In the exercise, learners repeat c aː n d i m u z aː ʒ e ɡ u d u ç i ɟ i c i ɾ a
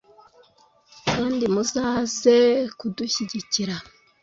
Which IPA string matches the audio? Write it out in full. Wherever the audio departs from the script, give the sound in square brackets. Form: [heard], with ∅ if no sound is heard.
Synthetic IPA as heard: [k] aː n d i m u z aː [z] e [k] u d u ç i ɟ i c i ɾ a